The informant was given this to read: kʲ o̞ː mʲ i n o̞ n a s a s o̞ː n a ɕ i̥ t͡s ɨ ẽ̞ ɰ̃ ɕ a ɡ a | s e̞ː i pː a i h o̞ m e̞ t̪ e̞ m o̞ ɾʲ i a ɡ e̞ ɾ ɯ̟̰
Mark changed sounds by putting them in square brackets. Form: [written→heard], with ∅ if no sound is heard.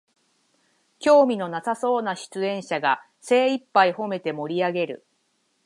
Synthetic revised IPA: kʲ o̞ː mʲ i n o̞ n a s a s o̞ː n a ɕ i̥ t͡s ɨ ẽ̞ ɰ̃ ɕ a ɡ a | s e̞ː i pː a i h o̞ m e̞ t̪ e̞ m o̞ ɾʲ i a ɡ e̞ ɾ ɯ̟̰

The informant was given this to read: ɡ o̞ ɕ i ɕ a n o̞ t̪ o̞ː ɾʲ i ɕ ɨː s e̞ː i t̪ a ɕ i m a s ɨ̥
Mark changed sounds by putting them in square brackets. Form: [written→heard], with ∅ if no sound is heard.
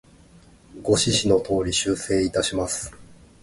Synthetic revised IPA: ɡ o̞ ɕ i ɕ [a→i] n o̞ t̪ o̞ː ɾʲ i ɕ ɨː s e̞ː i t̪ a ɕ i m a s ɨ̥

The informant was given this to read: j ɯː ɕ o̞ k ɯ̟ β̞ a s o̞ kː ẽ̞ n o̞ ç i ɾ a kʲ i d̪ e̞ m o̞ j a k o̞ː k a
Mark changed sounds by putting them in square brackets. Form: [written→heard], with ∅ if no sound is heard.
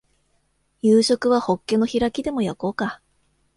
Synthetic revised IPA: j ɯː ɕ o̞ k ɯ̟ β̞ a [s→h] o̞ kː [ẽ̞→e̞] n o̞ ç i ɾ a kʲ i d̪ e̞ m o̞ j a k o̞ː k a

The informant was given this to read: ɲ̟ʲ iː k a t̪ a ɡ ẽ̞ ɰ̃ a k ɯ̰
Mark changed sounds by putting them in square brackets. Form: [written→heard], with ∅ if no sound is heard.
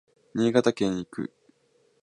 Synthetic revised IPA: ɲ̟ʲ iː [k→ɡ] a t̪ a [ɡ→k] ẽ̞ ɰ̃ [a→i] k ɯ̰

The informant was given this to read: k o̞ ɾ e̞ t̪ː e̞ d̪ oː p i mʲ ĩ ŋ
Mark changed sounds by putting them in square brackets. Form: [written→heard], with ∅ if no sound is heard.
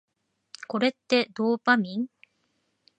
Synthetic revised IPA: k o̞ ɾ e̞ t̪ː e̞ d̪ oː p [i→a] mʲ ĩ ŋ

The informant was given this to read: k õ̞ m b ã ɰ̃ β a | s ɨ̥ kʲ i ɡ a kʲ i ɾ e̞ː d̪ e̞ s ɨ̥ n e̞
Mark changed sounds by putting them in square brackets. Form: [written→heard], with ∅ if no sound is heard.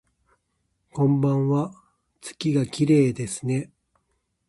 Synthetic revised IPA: k õ̞ m b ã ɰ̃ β a | [s→t͡s] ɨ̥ kʲ i ɡ a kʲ i ɾ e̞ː d̪ e̞ s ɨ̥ n e̞

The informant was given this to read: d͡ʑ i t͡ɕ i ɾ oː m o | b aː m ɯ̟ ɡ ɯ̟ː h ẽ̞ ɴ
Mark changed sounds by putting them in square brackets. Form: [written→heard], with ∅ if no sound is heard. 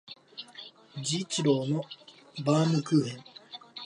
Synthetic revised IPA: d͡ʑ i t͡ɕ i ɾ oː [m→n] o | b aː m ɯ̟ [ɡ→k] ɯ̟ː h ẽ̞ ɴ

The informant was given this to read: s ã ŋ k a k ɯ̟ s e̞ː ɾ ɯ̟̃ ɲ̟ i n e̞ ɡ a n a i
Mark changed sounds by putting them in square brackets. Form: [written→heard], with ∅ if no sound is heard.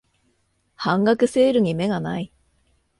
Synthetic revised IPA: [s→h] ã ŋ [k→ɡ] a k ɯ̟ s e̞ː ɾ [ɯ̟̃→ɯ̟] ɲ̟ i [n→m] e̞ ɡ a n a i

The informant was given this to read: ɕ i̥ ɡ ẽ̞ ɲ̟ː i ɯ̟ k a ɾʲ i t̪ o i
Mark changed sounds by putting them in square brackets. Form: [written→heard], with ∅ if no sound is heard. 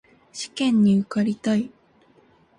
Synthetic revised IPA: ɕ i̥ [ɡ→k] ẽ̞ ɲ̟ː i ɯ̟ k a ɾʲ i t̪ o i

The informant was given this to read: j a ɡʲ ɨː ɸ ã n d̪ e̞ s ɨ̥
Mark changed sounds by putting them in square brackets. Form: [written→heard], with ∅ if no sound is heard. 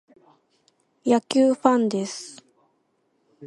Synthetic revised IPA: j a [ɡʲ→kʲ] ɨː ɸ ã n d̪ e̞ s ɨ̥

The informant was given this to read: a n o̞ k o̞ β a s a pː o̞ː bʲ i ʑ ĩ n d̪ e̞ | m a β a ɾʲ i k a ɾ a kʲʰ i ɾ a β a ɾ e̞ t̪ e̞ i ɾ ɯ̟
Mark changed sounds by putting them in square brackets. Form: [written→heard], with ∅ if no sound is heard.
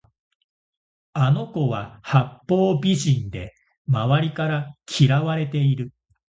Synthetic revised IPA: a n o̞ k o̞ β a [s→h] a pː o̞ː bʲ i ʑ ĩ n d̪ e̞ | m a β a ɾʲ i k a ɾ a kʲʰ i ɾ a β a ɾ e̞ t̪ e̞ i ɾ ɯ̟

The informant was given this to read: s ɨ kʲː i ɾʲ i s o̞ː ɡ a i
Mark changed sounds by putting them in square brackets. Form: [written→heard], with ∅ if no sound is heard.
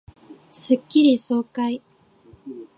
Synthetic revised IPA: s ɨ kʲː i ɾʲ i s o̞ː [ɡ→k] a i

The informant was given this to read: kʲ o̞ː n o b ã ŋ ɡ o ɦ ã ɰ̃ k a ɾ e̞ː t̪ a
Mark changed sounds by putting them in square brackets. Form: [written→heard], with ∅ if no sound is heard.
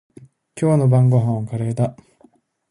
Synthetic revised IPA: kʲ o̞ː n o b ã ŋ ɡ o ɦ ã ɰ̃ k a ɾ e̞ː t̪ a

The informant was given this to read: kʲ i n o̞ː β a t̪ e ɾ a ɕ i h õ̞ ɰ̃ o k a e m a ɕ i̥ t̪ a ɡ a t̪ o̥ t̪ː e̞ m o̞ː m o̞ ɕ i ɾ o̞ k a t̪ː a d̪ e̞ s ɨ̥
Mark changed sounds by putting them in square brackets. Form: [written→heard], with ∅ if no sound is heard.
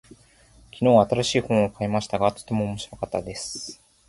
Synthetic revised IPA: kʲ i n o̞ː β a t̪ [e→a] ɾ a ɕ [i→iː] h õ̞ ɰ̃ o k a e m a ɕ i̥ t̪ a ɡ a t̪ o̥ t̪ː e̞ m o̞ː m o̞ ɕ i ɾ o̞ k a t̪ː a d̪ e̞ s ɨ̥

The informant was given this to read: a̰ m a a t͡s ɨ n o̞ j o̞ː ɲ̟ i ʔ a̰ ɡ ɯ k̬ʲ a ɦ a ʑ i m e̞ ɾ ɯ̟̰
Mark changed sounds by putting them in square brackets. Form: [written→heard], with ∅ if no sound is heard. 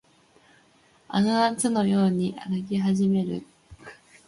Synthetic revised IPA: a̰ [m→n] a a t͡s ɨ n o̞ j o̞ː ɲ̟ i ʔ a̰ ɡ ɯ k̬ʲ [a→i] ɦ a ʑ i m e̞ ɾ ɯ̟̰

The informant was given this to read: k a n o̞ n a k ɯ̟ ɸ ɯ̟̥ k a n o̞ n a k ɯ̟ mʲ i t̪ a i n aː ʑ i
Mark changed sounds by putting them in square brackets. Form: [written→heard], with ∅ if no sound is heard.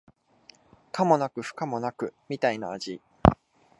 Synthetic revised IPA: k a [n→m] o̞ n a k ɯ̟ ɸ ɯ̟̥ k a [n→m] o̞ n a k ɯ̟ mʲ i t̪ a i n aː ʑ i

